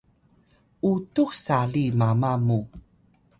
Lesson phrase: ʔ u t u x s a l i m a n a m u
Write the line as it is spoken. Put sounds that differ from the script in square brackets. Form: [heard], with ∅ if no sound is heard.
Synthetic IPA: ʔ u t u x s a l i m a [m] a m u